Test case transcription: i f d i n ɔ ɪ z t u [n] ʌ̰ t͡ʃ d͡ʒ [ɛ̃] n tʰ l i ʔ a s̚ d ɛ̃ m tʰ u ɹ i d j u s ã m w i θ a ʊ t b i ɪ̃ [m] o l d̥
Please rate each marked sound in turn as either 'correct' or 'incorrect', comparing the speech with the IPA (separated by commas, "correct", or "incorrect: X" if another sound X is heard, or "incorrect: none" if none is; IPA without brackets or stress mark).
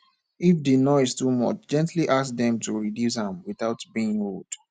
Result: incorrect: m, correct, incorrect: ŋ